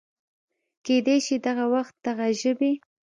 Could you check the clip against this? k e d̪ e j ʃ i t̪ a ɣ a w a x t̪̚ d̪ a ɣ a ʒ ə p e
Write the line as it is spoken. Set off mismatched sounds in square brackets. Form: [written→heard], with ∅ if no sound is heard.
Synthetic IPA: k e d̪ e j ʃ i [t̪→d̪] a ɣ a w a x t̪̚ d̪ a ɣ a ʒ ə [p→b] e